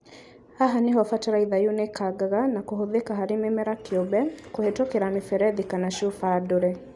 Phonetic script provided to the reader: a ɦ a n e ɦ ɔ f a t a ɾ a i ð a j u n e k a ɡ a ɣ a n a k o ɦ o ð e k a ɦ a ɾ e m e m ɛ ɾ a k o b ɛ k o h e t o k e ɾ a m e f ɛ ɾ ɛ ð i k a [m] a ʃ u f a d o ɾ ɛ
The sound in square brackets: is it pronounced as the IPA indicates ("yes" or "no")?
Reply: no